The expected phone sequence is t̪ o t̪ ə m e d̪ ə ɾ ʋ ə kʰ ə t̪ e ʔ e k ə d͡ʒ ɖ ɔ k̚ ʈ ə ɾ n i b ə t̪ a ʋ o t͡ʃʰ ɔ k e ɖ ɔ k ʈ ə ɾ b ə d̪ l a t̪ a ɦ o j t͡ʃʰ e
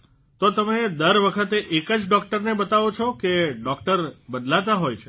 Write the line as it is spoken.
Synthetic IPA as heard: t̪ o t̪ ə m e d̪ ə ɾ ʋ ə kʰ ə t̪ e ʔ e k ə d͡ʒ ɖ ɔ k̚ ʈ ə ɾ n e b ə t̪ a ʋ o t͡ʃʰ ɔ k e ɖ ɔ k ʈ ə ɾ b ə d̪ l a t̪ a ɦ o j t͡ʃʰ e